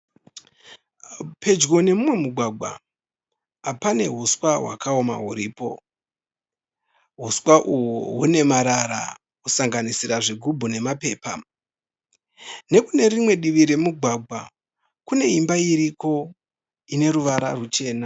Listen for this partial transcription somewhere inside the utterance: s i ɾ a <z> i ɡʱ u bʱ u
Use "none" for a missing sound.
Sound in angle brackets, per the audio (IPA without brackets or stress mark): ʐ